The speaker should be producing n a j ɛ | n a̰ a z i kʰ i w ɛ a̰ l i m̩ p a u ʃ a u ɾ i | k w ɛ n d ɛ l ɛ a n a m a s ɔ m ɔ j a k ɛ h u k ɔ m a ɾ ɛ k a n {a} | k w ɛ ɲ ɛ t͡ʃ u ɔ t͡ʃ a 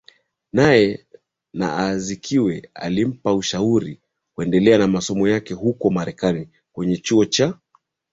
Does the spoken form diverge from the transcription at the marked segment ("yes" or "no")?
yes